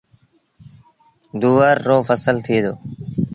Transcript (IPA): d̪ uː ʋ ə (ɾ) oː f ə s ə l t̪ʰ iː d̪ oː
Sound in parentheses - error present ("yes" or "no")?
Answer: yes